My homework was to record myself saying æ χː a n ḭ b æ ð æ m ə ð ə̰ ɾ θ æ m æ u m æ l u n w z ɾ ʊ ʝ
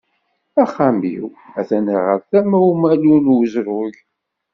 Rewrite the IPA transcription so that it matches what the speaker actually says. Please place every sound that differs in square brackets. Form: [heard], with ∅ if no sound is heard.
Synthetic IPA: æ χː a [m] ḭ [w] æ [θ] æ [n] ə [ʁ] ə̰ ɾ θ æ m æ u m æ l u n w z ɾ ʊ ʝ